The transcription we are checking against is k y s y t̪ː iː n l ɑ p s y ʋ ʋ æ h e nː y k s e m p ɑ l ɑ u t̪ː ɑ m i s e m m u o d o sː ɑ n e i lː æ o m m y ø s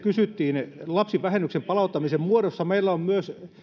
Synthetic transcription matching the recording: k y s y t̪ː iː n l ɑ p s i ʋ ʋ æ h e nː y k s e m p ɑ l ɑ u t̪ː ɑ m i s e m m u o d o sː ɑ m e i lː æ o m m y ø s